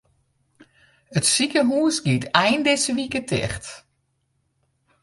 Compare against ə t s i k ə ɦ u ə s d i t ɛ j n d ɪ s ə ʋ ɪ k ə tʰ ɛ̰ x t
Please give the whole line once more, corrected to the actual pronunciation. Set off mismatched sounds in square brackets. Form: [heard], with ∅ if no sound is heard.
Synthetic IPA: ə t s i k ə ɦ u ə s [ɡ] i t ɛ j n d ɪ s ə ʋ [i] k ə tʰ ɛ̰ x t